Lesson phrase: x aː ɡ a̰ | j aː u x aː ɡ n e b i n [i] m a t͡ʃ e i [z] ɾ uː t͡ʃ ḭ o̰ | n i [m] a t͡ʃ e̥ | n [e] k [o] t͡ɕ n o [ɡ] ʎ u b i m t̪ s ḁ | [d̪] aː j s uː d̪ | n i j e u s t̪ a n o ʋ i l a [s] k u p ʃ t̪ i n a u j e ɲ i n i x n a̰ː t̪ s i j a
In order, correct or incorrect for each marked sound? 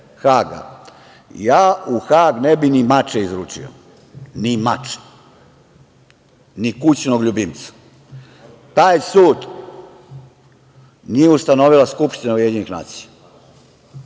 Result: correct, correct, correct, incorrect: i, incorrect: u, correct, incorrect: t̪, correct

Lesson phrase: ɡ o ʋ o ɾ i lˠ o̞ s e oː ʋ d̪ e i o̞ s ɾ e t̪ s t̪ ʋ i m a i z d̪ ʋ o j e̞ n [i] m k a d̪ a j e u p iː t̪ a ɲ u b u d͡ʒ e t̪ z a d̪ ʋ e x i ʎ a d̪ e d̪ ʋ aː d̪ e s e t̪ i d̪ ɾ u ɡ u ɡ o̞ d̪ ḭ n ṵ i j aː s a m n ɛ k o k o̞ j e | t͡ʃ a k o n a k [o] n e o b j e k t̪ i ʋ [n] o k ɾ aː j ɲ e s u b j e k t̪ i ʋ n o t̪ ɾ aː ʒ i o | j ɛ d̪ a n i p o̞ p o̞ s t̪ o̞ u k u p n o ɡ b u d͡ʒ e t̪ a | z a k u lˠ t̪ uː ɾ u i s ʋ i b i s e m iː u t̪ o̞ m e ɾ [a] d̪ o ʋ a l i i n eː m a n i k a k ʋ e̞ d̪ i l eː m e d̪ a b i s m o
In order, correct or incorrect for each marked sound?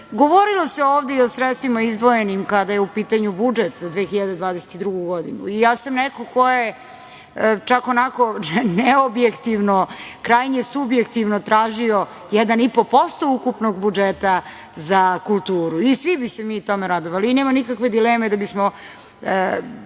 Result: correct, correct, correct, correct

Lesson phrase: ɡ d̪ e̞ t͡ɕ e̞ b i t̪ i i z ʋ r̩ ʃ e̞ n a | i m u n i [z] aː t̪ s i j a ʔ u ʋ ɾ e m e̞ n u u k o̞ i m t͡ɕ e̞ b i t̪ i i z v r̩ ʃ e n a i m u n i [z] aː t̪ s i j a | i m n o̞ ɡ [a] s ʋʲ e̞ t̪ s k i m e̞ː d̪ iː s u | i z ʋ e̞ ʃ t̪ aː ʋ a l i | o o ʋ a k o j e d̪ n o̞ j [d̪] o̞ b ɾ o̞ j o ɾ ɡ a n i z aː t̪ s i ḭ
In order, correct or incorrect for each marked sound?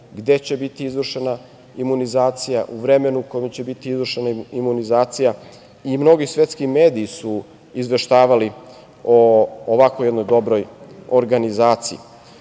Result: correct, correct, incorrect: i, correct

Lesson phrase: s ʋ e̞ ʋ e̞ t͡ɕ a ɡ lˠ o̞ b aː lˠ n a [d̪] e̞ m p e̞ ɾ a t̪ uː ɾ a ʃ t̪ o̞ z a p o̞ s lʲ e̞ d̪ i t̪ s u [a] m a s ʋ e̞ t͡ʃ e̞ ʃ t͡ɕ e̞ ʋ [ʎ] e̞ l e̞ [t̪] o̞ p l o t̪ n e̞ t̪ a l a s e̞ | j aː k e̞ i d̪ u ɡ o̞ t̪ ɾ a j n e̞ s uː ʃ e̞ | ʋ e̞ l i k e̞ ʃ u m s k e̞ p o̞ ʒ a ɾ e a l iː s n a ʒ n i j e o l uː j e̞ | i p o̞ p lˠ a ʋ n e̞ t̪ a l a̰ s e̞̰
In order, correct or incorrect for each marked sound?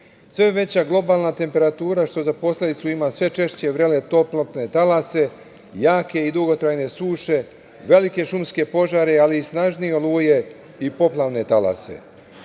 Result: incorrect: t̪, incorrect: i, incorrect: ɾ, correct

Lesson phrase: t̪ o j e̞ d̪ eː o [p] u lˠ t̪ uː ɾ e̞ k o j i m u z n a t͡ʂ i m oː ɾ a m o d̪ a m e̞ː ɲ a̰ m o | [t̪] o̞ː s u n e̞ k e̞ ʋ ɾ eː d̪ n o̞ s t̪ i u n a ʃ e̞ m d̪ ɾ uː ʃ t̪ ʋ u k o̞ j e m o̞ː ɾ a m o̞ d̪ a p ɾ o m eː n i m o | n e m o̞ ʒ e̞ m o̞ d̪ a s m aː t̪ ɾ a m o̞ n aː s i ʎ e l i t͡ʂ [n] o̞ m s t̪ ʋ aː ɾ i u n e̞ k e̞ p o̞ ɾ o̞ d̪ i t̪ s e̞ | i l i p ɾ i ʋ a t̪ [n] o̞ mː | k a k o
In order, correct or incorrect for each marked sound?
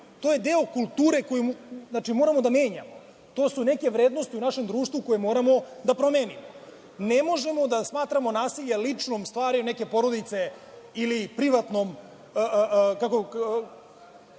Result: incorrect: k, correct, correct, correct

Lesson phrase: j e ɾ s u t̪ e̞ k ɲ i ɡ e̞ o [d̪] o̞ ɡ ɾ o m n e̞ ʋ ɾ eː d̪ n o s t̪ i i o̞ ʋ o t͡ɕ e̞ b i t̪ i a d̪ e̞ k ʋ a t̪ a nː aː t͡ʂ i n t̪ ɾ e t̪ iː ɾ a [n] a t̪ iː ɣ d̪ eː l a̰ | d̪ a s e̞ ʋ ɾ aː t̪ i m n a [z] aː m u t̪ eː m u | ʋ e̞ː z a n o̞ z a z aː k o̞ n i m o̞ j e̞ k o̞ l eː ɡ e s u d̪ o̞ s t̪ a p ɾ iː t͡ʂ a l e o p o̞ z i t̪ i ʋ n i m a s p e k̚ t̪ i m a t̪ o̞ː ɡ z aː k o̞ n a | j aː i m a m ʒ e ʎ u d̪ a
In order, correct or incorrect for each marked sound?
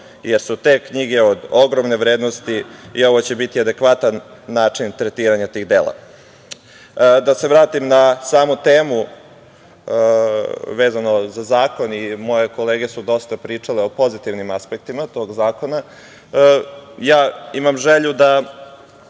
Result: correct, incorrect: ɲ, incorrect: s

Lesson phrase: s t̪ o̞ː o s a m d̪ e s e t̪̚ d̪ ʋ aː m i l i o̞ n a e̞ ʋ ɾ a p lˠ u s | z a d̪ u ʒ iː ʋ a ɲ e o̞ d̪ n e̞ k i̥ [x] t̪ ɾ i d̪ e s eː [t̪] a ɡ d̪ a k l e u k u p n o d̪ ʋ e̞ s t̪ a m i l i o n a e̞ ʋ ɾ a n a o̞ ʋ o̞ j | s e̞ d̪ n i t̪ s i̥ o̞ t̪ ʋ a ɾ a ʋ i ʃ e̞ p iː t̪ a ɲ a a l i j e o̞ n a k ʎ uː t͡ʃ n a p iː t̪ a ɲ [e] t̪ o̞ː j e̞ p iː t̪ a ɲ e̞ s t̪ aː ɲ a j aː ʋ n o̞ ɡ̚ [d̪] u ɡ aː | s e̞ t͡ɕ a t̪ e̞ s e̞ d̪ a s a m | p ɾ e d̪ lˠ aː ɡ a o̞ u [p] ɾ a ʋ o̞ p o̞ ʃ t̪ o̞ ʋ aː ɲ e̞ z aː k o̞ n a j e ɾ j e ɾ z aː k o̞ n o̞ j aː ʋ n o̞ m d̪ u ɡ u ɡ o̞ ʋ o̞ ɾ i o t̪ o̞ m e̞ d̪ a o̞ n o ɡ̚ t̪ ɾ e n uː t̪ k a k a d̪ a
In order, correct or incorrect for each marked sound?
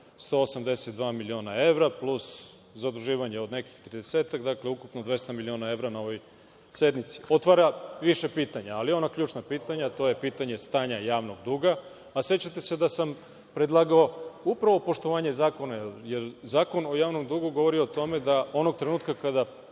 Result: correct, correct, incorrect: a, correct, correct

